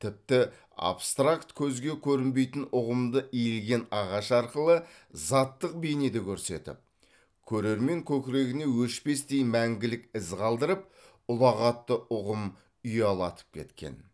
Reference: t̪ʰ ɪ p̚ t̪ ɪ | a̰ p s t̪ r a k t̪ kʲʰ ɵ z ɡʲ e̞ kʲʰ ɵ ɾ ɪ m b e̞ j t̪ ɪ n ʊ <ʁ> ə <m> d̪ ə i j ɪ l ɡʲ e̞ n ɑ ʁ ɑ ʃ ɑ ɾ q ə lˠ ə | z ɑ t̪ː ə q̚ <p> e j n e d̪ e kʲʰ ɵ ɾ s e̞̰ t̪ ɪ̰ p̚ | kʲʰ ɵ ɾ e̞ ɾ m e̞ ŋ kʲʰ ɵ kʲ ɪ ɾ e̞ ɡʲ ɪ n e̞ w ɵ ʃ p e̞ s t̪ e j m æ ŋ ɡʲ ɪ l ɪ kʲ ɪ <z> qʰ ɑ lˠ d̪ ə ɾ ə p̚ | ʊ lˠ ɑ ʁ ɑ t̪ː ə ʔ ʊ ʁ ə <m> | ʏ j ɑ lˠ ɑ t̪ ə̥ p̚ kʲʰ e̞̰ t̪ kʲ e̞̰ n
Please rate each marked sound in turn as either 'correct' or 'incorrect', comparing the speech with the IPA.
correct, correct, incorrect: b, correct, correct

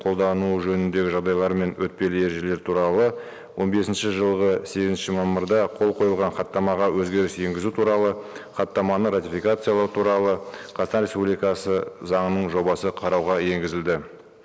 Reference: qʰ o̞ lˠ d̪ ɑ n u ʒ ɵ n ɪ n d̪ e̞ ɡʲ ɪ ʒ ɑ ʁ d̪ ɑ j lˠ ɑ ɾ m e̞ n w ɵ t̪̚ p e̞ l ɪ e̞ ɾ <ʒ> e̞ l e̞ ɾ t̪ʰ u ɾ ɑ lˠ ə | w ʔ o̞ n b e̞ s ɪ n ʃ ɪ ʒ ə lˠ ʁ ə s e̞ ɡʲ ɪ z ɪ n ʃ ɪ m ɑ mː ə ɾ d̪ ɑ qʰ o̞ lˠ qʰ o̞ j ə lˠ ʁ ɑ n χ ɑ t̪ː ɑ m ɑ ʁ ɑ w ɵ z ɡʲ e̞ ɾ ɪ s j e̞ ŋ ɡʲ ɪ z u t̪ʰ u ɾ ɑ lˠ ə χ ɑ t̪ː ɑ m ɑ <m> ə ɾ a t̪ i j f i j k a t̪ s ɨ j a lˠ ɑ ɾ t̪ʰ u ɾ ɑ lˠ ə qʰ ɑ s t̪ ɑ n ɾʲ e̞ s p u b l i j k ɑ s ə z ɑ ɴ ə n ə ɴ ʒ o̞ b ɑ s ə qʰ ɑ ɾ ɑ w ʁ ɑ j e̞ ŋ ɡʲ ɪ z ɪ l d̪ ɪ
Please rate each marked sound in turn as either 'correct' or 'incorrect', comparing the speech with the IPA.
correct, incorrect: n

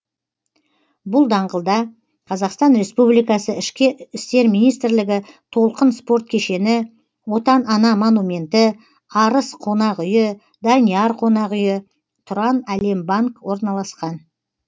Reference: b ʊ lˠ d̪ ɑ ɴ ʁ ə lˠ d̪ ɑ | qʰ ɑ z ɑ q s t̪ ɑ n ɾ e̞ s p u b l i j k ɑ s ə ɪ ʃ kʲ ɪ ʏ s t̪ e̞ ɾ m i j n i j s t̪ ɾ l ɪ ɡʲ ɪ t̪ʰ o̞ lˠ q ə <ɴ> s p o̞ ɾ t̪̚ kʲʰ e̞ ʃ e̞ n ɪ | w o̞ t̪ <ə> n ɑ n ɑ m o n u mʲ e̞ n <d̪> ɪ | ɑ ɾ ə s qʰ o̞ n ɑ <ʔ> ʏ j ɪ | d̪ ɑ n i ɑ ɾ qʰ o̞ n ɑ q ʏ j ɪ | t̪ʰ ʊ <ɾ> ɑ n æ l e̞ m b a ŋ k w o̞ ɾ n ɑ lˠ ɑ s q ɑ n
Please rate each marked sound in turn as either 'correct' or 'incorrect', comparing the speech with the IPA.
incorrect: n, incorrect: ɑ, incorrect: t̪, incorrect: q, correct

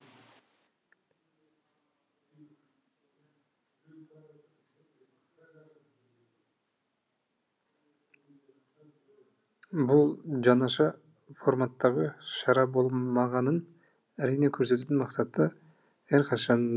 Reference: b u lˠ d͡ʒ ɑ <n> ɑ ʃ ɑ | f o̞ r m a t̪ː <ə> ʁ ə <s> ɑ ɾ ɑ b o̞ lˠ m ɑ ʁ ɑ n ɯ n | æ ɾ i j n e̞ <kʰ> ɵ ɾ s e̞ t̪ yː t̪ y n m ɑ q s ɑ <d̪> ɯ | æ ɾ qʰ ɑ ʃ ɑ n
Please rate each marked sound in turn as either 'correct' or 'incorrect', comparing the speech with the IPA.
correct, incorrect: ɑ, incorrect: ʃ, correct, incorrect: t̪

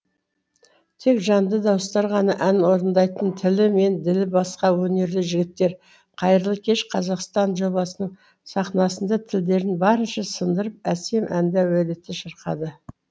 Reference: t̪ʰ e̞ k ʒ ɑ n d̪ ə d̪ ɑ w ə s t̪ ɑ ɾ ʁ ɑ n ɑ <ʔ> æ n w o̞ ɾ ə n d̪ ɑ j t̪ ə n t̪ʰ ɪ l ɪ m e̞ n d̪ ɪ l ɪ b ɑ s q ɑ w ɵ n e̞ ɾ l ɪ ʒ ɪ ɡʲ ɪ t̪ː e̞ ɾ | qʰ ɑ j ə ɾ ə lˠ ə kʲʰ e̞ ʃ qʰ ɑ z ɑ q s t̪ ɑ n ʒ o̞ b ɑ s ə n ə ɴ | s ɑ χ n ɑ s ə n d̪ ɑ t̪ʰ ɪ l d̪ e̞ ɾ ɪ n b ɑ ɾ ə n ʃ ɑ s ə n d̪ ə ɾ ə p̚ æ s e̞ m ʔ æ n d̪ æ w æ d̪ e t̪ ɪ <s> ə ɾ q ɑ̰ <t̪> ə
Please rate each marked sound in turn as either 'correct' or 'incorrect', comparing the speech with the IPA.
correct, incorrect: ʃ, incorrect: d̪

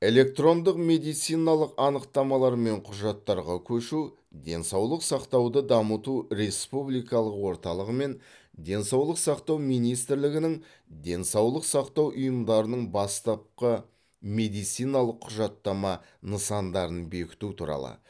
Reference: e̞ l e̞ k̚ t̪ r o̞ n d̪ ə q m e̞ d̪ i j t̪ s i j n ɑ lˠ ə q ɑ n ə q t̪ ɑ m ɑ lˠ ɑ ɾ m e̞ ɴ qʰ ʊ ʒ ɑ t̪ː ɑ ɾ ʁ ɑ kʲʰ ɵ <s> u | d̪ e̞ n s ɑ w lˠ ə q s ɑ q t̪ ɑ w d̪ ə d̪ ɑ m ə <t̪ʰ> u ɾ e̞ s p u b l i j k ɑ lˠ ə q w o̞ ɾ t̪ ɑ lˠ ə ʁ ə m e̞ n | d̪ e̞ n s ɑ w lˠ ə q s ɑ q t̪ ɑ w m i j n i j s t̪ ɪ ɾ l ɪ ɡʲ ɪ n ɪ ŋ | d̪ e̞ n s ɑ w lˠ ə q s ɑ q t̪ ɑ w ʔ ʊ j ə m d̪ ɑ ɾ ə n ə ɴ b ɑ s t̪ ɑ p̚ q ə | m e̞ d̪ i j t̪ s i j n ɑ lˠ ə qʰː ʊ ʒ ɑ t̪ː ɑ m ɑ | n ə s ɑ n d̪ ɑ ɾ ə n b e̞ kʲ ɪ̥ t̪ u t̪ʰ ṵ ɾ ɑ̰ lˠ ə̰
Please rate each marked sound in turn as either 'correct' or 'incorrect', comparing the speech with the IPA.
incorrect: ʃ, incorrect: t̪

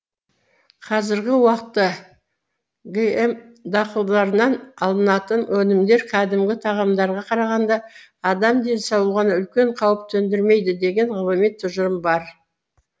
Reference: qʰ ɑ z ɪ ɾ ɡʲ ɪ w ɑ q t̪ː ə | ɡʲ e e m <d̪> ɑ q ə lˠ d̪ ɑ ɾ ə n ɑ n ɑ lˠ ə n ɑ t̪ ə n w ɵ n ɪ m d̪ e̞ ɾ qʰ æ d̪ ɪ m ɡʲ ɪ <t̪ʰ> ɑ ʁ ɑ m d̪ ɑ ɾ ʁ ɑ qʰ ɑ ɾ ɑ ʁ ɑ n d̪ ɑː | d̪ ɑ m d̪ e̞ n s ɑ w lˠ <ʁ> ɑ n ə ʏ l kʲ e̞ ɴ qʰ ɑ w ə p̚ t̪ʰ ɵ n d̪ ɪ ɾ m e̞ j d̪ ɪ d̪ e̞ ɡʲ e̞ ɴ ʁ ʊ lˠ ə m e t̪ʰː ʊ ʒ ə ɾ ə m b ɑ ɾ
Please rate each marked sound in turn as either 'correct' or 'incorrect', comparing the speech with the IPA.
correct, correct, correct

